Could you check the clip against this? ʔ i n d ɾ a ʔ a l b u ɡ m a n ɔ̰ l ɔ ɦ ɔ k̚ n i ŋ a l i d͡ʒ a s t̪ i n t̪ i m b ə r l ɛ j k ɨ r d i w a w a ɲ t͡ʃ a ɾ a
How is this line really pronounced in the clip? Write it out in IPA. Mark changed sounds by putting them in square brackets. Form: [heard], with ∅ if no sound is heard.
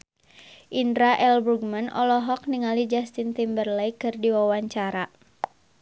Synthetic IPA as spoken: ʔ i n d ɾ a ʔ [ɛ] l b u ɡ m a n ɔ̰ l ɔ ɦ ɔ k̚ n i ŋ a l i d͡ʒ a s t̪ i n t̪ i m b ə r l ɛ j k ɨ r d i w a w a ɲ t͡ʃ a ɾ a